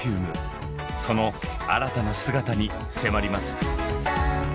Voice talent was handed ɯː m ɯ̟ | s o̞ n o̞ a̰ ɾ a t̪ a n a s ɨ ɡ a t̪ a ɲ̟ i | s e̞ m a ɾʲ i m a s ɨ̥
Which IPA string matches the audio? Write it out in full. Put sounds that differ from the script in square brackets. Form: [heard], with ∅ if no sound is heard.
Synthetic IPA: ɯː m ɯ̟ | s o̞ n o̞ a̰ ɾ a t̪ a n a s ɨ ɡ a t̪ a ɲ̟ i | s e̞ m a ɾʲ i m a s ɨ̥